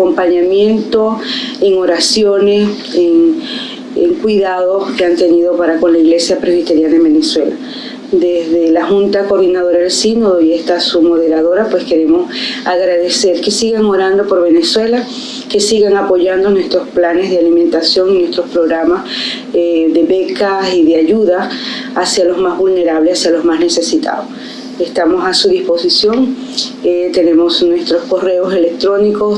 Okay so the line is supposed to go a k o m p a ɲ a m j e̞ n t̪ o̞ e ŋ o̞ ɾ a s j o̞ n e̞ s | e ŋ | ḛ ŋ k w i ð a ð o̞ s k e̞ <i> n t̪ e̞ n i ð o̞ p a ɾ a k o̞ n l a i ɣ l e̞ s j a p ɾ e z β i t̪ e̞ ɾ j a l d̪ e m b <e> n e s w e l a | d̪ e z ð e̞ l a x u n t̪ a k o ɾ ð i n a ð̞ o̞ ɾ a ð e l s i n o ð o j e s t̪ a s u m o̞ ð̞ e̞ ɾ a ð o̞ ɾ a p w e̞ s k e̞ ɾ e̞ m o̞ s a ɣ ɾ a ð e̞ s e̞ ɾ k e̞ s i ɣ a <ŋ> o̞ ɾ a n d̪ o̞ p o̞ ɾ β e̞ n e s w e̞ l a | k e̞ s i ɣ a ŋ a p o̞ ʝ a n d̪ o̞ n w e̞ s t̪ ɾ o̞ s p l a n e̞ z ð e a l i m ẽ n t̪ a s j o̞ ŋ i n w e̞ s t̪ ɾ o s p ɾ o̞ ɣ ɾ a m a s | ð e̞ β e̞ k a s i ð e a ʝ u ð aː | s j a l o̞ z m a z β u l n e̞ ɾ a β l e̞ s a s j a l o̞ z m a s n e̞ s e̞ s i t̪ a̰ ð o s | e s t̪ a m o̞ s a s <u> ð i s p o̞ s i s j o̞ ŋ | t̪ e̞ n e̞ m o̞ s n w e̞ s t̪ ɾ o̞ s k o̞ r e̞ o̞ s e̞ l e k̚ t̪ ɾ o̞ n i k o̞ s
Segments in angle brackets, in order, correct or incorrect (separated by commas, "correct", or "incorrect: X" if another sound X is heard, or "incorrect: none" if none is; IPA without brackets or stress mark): incorrect: a, correct, correct, correct